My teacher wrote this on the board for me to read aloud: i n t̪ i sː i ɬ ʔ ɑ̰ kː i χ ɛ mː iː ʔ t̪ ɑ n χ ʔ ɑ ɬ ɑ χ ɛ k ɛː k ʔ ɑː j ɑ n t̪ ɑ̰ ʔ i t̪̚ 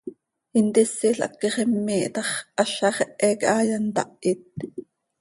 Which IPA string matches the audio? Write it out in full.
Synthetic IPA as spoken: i n t̪ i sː i ɬ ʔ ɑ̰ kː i χ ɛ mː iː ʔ t̪ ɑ χ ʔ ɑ ɬ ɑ χ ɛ ʔ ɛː k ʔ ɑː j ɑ n t̪ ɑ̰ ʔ i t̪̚